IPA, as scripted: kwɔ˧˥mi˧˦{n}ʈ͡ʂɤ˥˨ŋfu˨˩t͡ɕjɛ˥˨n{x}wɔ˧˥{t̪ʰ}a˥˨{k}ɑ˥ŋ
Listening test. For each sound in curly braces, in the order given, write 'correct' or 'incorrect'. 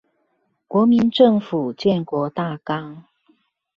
correct, incorrect: k, incorrect: t̪, correct

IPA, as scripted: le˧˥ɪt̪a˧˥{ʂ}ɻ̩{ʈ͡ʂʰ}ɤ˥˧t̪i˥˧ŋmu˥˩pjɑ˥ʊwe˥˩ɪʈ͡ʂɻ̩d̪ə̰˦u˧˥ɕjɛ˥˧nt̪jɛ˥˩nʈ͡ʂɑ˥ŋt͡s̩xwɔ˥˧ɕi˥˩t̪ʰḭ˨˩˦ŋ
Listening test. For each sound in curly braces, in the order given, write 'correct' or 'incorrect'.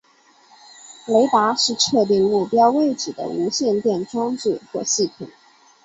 correct, correct

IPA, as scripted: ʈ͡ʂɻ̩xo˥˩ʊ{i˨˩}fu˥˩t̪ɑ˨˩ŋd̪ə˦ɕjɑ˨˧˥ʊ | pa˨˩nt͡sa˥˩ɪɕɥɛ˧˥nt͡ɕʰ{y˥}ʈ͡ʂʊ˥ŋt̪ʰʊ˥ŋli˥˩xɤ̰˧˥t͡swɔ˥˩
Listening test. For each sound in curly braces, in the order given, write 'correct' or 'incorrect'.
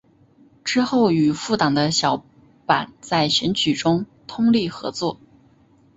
incorrect: y˨˩, incorrect: y˨˩

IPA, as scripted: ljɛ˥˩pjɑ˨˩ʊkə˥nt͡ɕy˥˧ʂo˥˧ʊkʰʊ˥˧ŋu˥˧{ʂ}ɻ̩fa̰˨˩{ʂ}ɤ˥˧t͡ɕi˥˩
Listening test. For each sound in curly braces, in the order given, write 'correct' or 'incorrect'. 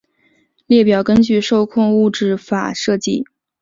incorrect: ʈ͡ʂ, correct

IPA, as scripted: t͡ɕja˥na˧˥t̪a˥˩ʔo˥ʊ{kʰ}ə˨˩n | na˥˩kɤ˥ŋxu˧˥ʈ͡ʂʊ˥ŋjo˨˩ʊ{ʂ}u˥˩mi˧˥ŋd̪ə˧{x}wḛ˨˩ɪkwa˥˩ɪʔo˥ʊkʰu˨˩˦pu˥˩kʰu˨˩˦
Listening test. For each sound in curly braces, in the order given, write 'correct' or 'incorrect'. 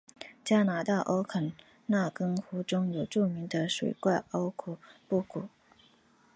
correct, incorrect: ʈ͡ʂ, incorrect: ʂ

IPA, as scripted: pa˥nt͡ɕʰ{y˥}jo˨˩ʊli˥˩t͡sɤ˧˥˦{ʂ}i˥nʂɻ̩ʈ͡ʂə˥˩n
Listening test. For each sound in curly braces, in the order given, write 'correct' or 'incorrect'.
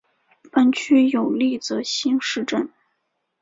correct, incorrect: ɕ

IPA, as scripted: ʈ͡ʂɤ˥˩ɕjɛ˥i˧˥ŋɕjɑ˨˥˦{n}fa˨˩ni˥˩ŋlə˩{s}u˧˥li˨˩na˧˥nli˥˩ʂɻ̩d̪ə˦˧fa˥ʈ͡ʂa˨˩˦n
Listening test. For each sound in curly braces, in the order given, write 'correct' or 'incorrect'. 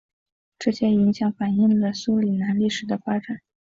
incorrect: ŋ, correct

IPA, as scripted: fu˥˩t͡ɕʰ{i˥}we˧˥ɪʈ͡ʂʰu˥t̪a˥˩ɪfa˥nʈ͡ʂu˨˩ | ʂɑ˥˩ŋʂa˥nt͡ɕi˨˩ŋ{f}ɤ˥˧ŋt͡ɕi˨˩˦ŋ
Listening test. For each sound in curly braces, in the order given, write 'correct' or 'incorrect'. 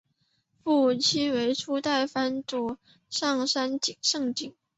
correct, incorrect: ʂ

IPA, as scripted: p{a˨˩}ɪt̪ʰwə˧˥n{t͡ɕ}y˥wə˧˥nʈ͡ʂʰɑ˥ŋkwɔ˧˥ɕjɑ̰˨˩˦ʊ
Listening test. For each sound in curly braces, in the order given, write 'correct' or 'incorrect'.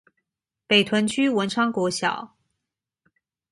incorrect: e˨˩, incorrect: t͡ɕʰ

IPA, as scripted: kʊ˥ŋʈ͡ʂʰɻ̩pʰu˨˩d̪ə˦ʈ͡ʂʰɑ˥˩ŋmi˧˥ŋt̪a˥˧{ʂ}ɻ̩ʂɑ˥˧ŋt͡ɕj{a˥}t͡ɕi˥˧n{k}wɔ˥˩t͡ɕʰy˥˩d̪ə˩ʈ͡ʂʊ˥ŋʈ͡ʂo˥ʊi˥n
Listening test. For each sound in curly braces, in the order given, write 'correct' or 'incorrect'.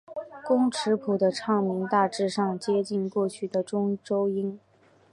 incorrect: ʈ͡ʂ, incorrect: ɛ˥, correct

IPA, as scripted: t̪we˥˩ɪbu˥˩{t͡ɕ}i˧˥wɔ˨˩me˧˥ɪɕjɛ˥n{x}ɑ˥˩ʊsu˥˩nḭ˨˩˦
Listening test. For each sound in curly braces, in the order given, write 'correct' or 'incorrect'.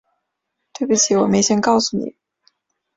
incorrect: t͡ɕʰ, incorrect: k

